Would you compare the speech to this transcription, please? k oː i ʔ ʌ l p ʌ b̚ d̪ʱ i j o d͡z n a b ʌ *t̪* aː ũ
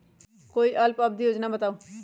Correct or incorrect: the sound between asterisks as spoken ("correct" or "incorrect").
correct